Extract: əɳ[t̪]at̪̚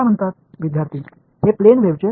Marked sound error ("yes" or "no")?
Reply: no